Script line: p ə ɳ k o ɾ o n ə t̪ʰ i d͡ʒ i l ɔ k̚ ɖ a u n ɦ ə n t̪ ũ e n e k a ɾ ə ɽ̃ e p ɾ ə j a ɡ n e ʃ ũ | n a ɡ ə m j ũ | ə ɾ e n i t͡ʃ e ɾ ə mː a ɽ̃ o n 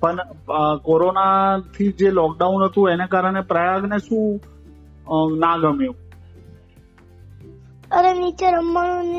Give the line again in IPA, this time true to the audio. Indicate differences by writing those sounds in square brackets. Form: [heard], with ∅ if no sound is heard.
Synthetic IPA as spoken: p ə ɳ k o ɾ o n [a] t̪ʰ i d͡ʒ [e] l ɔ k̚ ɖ a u n ɦ ə [∅] t̪ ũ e n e k a ɾ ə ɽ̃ e p ɾ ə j a ɡ n e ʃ ũ | n a ɡ ə m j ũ | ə ɾ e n i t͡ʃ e ɾ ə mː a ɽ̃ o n